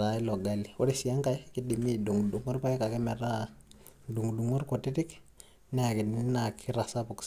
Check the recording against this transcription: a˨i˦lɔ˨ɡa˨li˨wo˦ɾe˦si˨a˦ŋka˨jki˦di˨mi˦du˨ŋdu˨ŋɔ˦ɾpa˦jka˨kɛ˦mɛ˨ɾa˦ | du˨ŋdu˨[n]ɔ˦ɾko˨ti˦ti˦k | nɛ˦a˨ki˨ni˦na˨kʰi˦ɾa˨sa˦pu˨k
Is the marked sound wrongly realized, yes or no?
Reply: yes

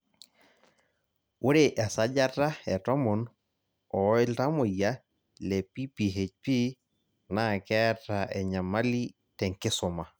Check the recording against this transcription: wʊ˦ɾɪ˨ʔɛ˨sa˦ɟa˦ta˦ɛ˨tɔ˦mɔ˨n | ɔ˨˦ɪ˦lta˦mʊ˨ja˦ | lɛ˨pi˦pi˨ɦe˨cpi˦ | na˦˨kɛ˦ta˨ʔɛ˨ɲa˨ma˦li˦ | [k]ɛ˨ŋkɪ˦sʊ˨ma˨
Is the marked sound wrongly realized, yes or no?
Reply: yes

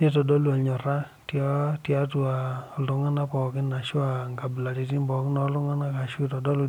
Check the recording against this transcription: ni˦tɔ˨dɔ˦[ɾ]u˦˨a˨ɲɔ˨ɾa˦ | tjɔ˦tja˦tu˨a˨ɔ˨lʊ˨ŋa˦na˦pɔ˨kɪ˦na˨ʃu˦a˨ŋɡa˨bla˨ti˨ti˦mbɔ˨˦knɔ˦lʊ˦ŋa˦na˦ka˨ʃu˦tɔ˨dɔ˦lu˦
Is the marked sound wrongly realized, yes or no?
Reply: yes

